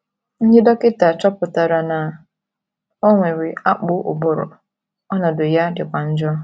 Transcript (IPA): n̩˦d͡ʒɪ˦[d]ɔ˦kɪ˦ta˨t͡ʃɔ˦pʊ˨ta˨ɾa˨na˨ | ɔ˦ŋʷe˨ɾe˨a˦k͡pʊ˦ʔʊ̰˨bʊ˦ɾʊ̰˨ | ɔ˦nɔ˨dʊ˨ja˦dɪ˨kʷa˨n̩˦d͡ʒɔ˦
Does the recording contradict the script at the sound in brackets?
no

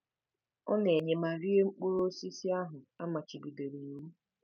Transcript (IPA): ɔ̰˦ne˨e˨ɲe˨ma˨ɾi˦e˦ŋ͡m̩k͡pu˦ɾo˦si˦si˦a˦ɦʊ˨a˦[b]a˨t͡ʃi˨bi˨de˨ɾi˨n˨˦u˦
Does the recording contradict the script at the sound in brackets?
yes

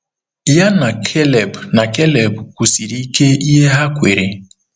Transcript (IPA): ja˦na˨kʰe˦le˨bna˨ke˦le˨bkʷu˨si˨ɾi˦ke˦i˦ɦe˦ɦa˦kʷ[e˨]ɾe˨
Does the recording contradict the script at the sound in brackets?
no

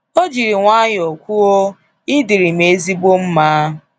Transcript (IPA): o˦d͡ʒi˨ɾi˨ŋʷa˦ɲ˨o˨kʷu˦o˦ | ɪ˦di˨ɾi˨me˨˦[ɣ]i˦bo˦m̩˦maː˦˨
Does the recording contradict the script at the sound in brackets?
yes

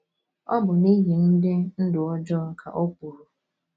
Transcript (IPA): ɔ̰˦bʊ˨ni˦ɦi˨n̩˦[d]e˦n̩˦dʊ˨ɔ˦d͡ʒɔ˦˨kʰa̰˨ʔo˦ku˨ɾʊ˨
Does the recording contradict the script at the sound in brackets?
no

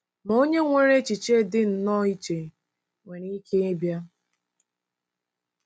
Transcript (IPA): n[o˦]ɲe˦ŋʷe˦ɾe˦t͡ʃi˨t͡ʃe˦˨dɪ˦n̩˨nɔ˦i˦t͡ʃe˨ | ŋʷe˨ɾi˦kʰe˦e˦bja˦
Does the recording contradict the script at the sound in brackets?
no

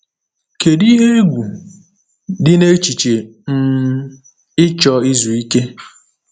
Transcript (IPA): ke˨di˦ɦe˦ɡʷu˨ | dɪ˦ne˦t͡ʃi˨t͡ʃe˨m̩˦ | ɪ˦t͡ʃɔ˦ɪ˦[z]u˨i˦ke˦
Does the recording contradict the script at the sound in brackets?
no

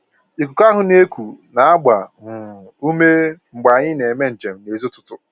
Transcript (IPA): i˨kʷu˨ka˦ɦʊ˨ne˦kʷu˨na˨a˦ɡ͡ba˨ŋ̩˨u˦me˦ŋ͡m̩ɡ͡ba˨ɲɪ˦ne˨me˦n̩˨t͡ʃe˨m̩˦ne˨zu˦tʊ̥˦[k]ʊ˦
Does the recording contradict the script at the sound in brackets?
yes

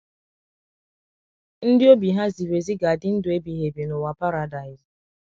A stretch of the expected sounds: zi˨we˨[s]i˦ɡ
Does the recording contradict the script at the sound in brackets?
yes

